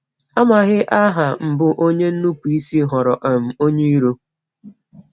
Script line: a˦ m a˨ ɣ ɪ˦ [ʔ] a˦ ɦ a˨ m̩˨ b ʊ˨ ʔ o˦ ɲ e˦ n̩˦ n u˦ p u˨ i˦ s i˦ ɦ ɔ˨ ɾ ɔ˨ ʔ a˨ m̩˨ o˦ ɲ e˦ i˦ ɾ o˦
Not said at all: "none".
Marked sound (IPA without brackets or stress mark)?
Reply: ʔ